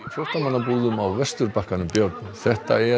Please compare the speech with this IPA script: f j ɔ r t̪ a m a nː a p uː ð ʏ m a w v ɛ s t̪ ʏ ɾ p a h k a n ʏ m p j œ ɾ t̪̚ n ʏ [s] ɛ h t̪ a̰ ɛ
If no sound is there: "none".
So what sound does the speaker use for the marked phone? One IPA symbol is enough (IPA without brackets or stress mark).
θ